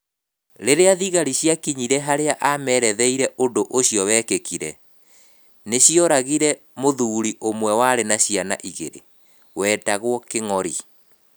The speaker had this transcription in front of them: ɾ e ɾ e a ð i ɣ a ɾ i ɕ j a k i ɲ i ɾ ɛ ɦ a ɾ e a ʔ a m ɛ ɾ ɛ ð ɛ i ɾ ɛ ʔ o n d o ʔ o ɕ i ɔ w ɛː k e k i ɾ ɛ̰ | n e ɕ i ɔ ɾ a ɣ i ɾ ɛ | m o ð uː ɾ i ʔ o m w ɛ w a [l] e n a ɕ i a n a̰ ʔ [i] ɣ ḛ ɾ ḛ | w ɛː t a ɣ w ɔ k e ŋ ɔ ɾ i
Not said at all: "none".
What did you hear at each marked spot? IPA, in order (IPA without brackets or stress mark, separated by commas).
ɾ, i